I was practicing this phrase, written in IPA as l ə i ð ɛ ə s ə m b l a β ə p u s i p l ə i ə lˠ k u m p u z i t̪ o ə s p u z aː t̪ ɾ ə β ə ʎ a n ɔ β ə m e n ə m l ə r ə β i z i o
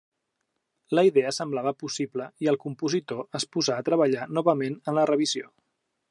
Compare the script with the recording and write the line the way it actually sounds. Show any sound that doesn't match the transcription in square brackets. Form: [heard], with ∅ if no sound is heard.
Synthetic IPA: l ə i ð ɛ ə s ə m b l a β ə p u s i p l ə i ə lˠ k u m p u z i t̪ o ə s p u z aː t̪ ɾ ə β ə ʎ a n ɔ β ə m e n ə [n] l ə r ə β i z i o

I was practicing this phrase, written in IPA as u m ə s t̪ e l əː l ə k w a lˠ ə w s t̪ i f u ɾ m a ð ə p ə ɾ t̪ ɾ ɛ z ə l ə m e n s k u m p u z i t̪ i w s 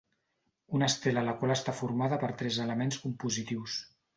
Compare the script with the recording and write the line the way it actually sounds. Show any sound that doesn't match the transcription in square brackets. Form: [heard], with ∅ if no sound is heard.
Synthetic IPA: u [n] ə s t̪ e l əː l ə k w a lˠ ə [∅] s t̪ [a] f u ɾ m a ð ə p ə ɾ t̪ ɾ ɛ z ə l ə m e n s k u m p u z i t̪ i w s

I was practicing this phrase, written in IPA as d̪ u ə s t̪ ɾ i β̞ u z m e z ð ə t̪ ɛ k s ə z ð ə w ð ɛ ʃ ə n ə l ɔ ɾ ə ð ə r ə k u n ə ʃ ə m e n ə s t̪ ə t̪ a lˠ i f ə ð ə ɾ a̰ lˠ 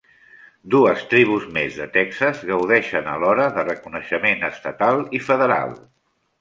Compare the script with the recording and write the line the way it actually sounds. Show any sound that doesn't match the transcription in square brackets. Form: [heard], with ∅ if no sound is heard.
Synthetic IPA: d̪ u ə s t̪ ɾ i β̞ u z m e z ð ə t̪ ɛ k s ə z [ɣ] ə w ð ɛ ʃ ə n ə l ɔ ɾ ə ð ə r ə k u n ə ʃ ə m e n ə s t̪ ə t̪ a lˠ i f ə ð ə ɾ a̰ lˠ

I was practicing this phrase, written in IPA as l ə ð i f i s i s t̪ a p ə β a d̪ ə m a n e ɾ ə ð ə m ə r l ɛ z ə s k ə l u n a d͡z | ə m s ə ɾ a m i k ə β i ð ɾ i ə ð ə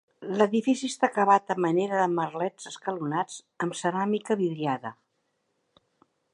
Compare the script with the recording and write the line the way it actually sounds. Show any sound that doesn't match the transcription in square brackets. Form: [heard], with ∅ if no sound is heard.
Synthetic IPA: l ə ð i f i s i s t̪ a [k] ə β a [t̪] ə m [ə] n e ɾ ə ð ə m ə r l ɛ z ə s k ə l u n a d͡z | ə m s ə ɾ a m i k ə β i ð ɾ i [a] ð ə

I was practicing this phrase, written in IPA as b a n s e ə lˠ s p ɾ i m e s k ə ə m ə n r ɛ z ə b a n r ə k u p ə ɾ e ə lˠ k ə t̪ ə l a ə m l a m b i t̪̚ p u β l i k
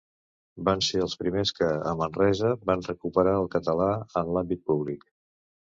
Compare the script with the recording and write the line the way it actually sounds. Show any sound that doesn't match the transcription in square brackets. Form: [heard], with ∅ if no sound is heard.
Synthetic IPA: b a n s e ə lˠ s p ɾ i m e s k ə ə m ə n r ɛ z ə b a n r ə k u p ə ɾ [a] ə lˠ k ə t̪ ə l a ə [n] l a m b i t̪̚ p u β l i k

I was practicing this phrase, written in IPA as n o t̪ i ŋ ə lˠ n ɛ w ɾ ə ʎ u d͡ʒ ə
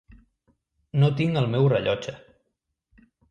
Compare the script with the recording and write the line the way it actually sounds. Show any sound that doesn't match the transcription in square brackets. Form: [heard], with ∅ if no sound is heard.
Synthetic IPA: n o t̪ i ŋ ə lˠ [m] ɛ w [r] ə ʎ [ɔ] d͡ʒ ə

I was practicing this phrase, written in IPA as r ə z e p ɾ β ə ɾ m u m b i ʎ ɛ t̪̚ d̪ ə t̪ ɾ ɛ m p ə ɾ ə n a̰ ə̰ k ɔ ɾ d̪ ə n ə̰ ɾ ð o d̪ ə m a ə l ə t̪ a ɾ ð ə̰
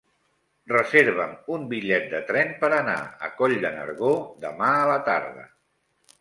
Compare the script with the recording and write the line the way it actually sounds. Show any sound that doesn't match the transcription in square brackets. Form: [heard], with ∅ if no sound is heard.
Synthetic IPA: r ə z e [∅] ɾ β ə [∅] m u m b i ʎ ɛ t̪̚ d̪ ə t̪ ɾ ɛ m p ə ɾ ə n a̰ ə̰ k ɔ [ʎ] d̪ ə n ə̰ ɾ [ɣ] o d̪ ə m a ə l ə t̪ a ɾ ð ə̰

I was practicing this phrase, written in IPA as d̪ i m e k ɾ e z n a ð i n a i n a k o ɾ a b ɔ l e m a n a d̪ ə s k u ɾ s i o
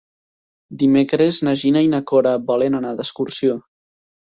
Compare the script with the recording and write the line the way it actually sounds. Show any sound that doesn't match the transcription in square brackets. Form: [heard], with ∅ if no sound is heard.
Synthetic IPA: d̪ i m e k ɾ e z n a [ʒ] i n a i n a k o ɾ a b ɔ l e [n] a n a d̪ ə s k u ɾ s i o

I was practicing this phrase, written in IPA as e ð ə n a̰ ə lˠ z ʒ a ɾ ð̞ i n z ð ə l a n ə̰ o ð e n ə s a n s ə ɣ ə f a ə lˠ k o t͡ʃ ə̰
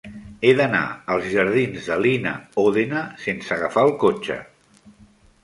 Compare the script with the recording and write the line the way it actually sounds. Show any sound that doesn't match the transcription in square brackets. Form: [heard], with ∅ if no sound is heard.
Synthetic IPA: e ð ə n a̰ ə lˠ z ʒ [ə] ɾ ð̞ i n z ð ə l [i] n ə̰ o ð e n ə s [e] n s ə ɣ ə f a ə lˠ k o t͡ʃ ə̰

